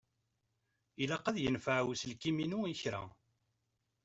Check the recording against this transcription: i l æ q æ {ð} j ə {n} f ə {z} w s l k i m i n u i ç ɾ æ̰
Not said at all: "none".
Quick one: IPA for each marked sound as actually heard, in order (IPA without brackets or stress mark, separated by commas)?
ð, n, ʕ